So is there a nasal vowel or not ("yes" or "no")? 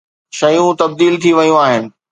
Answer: yes